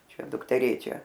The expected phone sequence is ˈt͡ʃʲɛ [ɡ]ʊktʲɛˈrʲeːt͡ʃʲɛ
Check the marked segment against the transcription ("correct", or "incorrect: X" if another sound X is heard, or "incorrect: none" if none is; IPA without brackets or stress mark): incorrect: d